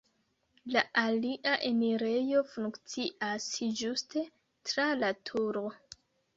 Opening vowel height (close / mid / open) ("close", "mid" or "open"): open